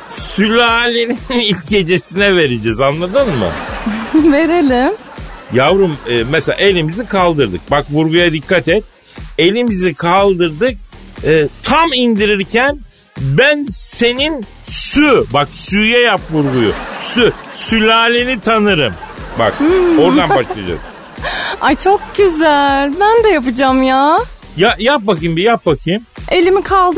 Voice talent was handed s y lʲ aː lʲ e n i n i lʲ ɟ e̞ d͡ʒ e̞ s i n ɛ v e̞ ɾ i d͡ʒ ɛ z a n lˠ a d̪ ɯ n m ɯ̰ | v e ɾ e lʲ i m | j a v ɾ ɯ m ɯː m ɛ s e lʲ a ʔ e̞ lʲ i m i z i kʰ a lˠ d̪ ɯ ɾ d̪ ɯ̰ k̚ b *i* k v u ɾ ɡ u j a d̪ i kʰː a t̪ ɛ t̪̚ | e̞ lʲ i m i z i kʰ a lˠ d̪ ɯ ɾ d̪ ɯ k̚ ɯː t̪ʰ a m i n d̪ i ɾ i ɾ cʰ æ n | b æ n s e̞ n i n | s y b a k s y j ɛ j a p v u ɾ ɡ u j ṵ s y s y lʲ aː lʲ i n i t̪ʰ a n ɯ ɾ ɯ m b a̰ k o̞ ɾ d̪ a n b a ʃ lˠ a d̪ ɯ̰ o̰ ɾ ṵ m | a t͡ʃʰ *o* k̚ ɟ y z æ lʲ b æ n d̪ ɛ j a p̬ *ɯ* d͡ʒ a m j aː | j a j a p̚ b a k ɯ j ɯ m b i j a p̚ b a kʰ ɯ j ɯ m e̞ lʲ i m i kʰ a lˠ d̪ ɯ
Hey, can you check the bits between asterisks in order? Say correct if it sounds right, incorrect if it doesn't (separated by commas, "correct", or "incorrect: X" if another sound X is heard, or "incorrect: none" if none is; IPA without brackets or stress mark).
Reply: incorrect: a, correct, correct